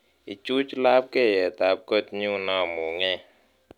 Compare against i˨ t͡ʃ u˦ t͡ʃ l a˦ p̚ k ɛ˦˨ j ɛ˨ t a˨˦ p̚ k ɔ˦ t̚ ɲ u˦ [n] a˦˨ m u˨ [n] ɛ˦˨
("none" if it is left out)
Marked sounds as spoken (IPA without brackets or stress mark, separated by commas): n, ŋ